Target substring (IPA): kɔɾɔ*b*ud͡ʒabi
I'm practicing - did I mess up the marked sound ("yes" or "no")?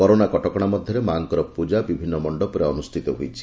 yes